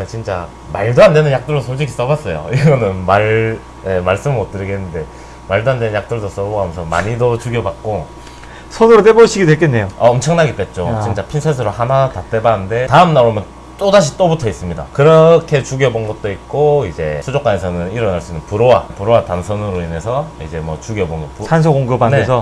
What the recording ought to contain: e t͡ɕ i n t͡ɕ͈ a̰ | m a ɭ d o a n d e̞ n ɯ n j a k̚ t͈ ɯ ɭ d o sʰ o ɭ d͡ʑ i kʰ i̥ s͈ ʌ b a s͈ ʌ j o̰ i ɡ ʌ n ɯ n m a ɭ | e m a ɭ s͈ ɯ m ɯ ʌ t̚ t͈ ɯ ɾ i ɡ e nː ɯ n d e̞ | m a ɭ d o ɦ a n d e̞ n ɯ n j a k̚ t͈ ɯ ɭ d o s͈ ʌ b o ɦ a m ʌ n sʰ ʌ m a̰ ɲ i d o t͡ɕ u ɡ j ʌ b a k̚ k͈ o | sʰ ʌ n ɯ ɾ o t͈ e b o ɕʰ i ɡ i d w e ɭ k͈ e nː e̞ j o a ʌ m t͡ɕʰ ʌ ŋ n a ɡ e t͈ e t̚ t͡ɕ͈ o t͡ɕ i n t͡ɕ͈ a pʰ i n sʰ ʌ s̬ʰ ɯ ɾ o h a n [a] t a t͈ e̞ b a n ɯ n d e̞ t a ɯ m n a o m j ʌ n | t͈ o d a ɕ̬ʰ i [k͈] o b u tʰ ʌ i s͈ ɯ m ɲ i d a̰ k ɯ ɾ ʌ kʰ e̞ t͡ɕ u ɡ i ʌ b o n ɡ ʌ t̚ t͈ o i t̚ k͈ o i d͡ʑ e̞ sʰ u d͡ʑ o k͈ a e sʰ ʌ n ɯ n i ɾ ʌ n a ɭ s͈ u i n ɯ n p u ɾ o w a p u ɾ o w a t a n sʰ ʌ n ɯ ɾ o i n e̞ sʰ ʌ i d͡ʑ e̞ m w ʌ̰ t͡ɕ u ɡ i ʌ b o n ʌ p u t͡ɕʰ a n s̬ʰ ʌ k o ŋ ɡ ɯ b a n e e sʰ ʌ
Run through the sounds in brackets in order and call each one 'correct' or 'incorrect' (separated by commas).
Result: correct, incorrect